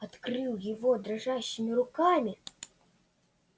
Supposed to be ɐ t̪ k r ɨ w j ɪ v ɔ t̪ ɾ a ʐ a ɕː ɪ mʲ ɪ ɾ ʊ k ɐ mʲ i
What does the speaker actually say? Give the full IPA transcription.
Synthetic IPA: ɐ t̪ k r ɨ w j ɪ v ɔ d̪ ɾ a ʐ a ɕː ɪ mʲ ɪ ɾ ʊ k a mʲ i

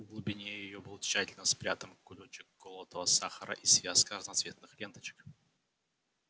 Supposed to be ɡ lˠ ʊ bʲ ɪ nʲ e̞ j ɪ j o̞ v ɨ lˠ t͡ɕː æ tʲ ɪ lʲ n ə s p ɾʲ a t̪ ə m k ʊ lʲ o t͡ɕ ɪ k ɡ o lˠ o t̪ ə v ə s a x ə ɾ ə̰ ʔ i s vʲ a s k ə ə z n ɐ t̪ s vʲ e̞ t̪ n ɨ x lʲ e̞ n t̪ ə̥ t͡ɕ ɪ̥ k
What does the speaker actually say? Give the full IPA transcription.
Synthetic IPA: ɡ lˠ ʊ bʲ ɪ nʲ e̞ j ɪ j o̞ b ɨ lˠ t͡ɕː æ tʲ ɪ lʲ n ə s p ɾʲ a t̪ ə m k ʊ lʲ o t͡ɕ ɪ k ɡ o lˠ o t̪ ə v ə s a x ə ɾ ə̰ ʔ i s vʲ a s k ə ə z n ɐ t̪ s vʲ e̞ t̪ n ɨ x lʲ e̞ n t̪ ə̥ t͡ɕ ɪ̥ k

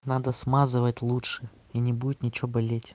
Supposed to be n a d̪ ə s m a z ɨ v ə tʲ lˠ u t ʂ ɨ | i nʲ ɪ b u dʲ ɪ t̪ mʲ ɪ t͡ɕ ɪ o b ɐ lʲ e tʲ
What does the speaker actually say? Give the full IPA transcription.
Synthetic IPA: n a d̪ ə s m a z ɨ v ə tʲ lˠ u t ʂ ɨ | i nʲ ɪ b u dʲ ɪ t̪ nʲ ɪ t͡ɕ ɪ o b ɐ lʲ e tʲ

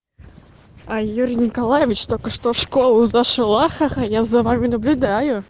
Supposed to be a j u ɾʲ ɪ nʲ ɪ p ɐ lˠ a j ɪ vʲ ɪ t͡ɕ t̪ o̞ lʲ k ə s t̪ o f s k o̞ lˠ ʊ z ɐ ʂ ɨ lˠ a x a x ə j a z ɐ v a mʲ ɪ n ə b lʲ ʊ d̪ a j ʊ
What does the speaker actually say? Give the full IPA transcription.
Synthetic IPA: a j u ɾʲ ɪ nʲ ɪ k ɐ lˠ a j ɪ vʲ ɪ t͡ɕ t̪ o̞ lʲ k ə ʂ t̪ o f ʂ k o̞ lˠ ʊ z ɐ ʂ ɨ lˠ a x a x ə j a z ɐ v a mʲ ɪ n ə b lʲ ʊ d̪ a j ʊ

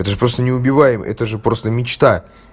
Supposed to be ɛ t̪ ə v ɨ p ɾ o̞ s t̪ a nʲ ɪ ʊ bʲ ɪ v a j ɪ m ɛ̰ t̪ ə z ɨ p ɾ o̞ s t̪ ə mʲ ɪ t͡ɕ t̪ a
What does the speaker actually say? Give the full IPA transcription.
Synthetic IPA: ɛ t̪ ə ʐ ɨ p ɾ o̞ s t̪ ə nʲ ɪ ʊ bʲ ɪ v a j ɪ m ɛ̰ t̪ ə ʐ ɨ p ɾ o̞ s t̪ ə mʲ ɪ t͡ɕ t̪ a

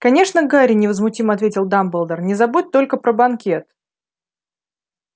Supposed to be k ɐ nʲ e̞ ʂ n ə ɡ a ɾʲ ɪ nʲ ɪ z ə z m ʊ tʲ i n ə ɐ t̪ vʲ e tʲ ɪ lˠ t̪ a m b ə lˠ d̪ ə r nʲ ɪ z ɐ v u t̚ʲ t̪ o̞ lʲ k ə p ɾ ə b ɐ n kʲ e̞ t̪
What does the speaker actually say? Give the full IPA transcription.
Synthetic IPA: k ɐ nʲ e̞ ʂ n ə ɡ a ɾʲ ɪ nʲ ɪ v ə z m ʊ tʲ i m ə ɐ t̪ vʲ e tʲ ɪ lˠ d̪ a m b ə lˠ d̪ ə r nʲ ɪ z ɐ b u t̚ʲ t̪ o̞ lʲ k ə p ɾ ə b ɐ n kʲ e̞ t̪

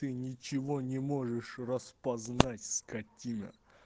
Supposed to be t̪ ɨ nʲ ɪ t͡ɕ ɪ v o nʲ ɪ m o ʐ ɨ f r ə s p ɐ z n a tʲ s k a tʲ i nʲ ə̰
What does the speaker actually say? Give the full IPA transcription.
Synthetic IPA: t̪ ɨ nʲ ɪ t͡ɕ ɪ v o nʲ ɪ m o ʐ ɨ ʂ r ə s p ɐ z n a tʲ s k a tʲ i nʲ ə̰

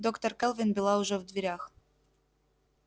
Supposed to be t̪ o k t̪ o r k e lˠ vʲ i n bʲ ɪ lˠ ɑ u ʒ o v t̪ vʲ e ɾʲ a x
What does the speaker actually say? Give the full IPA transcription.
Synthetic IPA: d̪ o k t̪ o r k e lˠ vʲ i n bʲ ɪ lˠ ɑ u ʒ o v d̪ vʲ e ɾʲ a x

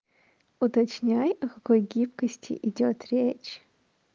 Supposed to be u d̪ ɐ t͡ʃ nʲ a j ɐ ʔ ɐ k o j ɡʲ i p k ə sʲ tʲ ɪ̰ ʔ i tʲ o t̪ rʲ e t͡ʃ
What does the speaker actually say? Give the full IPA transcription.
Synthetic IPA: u t̪ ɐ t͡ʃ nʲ a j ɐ k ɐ k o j ɡʲ i p k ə sʲ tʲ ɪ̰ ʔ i dʲ o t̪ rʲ e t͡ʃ

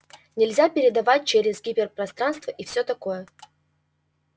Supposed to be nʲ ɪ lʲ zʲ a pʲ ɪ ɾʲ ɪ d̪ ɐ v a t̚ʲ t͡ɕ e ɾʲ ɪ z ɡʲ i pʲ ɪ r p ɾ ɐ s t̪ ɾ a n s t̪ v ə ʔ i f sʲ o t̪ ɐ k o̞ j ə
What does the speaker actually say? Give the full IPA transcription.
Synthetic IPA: nʲ ɪ lʲ zʲ a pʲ ɪ ɾʲ ɪ d̪ ɐ v a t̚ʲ t͡ɕ e ɾʲ ɪ z ɡʲ i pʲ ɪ r p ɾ ɐ s t̪ ɾ a n s t̪ v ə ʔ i f sʲ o t̪ ɐ k o̞ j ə

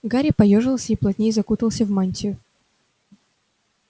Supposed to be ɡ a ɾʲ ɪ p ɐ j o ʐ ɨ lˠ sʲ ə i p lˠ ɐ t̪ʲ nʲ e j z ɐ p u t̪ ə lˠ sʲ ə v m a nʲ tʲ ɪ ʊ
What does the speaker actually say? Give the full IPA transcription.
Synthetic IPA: ɡ a ɾʲ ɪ p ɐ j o ʐ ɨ lˠ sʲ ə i p lˠ ɐ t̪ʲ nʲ e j z ɐ k u t̪ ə lˠ sʲ ə v m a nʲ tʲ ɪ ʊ

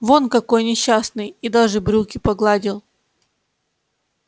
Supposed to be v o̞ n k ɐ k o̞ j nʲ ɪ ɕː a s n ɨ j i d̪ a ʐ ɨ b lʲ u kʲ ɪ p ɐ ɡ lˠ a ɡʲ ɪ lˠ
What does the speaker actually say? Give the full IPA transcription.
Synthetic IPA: v o̞ n k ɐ k o̞ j nʲ ɪ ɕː a s n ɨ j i d̪ a ʐ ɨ b ɾʲ u kʲ ɪ p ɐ ɡ lˠ a dʲ ɪ lˠ

